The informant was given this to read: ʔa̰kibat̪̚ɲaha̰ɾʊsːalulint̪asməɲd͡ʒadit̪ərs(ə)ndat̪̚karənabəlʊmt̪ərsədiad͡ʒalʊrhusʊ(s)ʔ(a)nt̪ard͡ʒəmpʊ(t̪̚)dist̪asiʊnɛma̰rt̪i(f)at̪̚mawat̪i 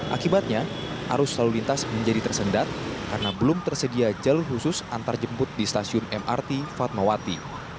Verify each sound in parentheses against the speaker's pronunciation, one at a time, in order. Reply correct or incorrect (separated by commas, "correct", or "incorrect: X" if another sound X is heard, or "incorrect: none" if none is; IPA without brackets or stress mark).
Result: correct, correct, correct, correct, correct